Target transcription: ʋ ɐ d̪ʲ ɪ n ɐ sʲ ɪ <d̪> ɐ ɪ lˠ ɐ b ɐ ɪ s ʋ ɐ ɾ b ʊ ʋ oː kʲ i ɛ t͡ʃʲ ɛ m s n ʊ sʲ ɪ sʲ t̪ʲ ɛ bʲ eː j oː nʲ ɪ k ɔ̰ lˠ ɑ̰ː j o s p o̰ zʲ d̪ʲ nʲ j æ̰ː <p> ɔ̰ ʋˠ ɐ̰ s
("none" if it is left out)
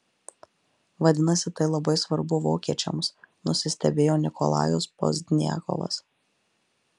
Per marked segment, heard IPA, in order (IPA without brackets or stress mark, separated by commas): t̪, k